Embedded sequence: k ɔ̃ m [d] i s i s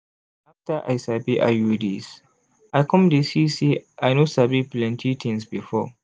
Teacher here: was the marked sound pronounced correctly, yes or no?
yes